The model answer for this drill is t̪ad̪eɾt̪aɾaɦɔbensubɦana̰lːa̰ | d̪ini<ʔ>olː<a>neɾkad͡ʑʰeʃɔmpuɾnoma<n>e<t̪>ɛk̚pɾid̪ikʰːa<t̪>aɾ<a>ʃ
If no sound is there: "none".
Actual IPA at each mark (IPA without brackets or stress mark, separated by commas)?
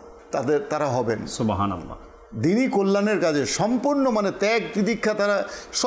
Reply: k, a, n, t̪, t̪, a